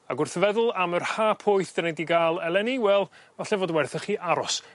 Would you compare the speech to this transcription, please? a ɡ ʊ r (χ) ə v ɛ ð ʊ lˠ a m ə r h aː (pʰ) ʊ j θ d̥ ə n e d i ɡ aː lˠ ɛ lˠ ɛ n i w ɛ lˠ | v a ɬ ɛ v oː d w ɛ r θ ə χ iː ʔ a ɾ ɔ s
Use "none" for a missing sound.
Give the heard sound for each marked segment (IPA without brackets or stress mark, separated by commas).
θ, pʰ